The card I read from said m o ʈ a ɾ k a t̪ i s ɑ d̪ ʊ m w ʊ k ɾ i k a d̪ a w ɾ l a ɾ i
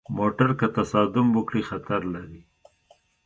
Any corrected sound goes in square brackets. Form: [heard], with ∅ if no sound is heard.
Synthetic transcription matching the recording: m o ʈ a ɾ k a t̪ [a] s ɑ d̪ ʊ m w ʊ k [ɽ] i [x] a [t̪] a [∅] ɾ l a ɾ i